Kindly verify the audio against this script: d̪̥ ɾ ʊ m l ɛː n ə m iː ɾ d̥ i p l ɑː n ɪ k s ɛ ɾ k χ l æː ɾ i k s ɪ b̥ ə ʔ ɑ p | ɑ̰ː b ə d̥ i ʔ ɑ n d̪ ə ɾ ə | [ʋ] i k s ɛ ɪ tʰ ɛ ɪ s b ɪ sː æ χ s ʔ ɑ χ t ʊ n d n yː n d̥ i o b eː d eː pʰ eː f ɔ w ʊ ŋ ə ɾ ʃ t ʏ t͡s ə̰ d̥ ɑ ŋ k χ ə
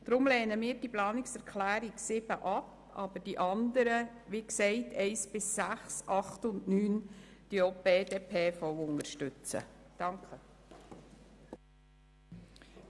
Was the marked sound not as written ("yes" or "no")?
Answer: no